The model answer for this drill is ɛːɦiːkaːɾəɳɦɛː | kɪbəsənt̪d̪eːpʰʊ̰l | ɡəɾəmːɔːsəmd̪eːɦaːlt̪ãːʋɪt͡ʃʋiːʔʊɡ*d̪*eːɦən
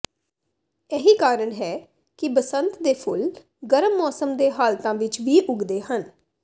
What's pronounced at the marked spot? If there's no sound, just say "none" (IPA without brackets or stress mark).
d̪